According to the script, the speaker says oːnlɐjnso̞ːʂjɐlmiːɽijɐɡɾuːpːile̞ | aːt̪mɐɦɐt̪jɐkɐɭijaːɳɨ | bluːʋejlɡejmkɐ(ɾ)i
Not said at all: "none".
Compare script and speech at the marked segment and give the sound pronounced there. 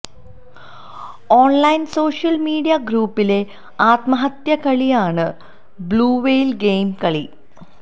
ɭ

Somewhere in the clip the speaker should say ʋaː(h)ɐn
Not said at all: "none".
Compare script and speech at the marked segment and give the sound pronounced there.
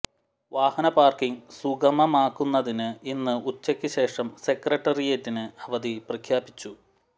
h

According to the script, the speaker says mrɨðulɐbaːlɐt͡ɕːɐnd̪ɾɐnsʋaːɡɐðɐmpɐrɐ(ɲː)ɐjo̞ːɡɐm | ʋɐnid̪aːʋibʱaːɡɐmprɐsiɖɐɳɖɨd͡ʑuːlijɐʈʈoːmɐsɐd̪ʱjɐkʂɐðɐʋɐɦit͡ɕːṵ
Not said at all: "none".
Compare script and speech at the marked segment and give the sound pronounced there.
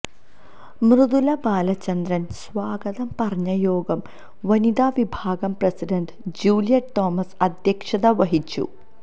ɲː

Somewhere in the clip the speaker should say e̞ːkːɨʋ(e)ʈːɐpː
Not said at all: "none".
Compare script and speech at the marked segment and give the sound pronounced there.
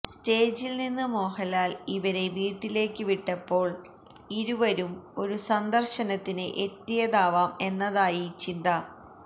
i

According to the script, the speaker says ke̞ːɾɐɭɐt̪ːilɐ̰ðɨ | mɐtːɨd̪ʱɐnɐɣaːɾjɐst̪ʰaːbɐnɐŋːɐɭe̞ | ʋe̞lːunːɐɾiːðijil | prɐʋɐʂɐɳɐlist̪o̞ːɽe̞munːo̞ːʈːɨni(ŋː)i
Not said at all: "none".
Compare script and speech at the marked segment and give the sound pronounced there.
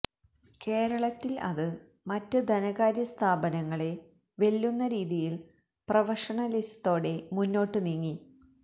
ŋː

